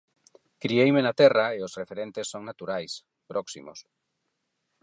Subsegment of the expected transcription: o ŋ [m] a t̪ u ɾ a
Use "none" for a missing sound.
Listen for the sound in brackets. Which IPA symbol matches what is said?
n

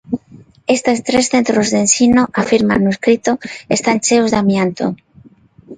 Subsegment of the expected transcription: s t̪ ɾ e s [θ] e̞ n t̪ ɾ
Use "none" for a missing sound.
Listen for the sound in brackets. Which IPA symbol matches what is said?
θ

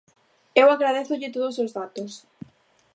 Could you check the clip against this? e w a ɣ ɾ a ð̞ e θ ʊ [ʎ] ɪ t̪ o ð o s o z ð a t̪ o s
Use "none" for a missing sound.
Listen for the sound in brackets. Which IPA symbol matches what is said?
ʎ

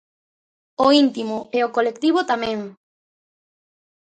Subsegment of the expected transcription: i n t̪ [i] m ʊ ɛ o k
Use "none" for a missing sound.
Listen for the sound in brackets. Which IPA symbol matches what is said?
i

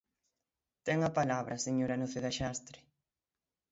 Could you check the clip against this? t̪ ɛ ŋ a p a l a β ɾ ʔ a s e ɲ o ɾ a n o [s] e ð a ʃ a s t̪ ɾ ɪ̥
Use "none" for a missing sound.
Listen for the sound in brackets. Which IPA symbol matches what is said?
θ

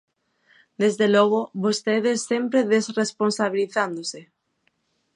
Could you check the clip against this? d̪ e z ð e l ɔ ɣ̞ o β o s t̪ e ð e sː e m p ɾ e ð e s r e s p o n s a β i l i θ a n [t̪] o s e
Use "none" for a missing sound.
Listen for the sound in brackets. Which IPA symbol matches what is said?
d̪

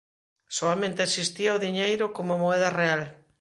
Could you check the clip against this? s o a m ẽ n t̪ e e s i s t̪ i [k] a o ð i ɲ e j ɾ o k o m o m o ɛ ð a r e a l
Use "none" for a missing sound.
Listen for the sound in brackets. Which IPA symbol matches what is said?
none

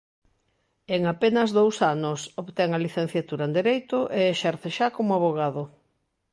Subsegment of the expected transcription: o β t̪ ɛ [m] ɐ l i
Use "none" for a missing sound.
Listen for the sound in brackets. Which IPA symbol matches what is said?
ŋ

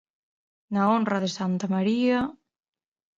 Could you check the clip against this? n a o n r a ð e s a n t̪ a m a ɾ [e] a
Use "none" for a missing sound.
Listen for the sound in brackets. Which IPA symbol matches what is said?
i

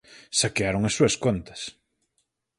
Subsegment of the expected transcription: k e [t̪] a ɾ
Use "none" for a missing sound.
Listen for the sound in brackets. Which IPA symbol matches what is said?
none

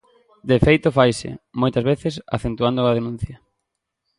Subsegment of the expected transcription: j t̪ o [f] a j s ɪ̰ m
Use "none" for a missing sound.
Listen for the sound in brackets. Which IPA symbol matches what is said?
f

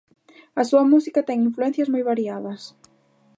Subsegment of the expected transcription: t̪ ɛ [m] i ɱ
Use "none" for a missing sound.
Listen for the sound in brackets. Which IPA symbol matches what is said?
ŋ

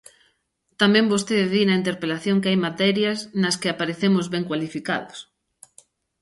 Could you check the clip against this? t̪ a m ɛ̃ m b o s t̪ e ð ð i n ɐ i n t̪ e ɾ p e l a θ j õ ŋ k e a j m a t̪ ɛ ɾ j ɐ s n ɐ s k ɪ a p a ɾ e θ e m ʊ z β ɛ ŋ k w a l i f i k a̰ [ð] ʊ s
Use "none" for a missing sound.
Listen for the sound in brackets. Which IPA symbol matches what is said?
ð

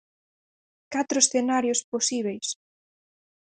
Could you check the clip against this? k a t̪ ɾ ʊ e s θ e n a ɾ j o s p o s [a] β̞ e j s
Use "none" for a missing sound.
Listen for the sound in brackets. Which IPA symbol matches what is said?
i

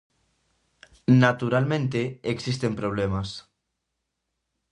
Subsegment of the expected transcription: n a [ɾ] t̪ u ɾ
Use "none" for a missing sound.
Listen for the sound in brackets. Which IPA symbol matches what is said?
none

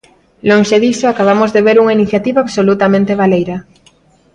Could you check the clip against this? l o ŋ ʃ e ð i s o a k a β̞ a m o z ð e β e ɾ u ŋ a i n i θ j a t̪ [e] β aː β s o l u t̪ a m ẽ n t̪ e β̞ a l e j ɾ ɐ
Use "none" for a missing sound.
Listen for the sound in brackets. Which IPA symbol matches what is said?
i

